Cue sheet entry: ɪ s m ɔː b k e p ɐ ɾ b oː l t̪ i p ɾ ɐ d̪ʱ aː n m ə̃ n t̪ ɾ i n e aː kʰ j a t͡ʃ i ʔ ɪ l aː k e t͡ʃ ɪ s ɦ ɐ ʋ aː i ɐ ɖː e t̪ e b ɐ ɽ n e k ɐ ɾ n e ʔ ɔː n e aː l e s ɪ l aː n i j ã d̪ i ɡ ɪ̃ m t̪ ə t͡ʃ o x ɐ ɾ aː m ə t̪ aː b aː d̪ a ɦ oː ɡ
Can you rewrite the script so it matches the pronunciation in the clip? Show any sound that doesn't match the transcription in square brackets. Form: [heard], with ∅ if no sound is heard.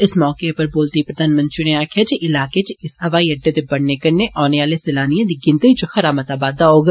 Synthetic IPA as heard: ɪ s m ɔː [∅] k e p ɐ ɾ b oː l t̪ i p ɾ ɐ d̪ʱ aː n m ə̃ n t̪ ɾ i n e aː kʰ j a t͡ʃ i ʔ ɪ l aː k e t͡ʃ ɪ s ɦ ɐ ʋ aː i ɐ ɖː e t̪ e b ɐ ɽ n e k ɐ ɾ n e ʔ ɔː n e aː l e s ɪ l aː n i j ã d̪ i ɡ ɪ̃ [n] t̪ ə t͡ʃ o x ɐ ɾ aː m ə t̪ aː b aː d̪ a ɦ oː ɡ